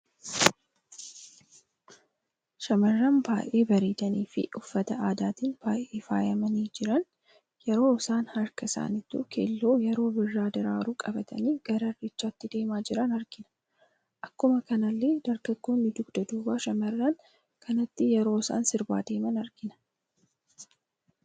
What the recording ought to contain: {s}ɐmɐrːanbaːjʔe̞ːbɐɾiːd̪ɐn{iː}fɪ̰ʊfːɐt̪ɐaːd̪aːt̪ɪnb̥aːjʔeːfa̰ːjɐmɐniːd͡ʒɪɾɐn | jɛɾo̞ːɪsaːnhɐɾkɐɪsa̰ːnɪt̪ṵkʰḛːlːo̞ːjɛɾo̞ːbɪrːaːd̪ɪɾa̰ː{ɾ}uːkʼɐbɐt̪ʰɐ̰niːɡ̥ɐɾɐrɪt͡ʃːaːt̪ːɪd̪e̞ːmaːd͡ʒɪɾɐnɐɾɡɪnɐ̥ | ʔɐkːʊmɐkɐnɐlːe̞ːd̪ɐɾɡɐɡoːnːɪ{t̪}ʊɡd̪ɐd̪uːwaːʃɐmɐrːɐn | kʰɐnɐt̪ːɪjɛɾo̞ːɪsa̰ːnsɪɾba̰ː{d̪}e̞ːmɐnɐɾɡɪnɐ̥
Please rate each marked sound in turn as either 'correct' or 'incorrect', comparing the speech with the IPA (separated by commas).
incorrect, correct, correct, incorrect, correct